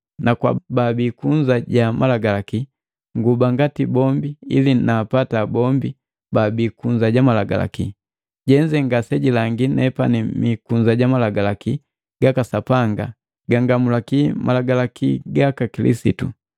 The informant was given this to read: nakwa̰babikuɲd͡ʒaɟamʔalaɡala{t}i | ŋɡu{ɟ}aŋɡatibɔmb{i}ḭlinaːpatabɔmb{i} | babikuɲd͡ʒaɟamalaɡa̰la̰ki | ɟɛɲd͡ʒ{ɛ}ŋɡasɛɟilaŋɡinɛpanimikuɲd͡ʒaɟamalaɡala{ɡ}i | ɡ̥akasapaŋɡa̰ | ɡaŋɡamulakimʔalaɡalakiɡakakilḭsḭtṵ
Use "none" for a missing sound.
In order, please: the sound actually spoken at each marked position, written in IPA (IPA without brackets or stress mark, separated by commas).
k, b, i, i, ɛ, k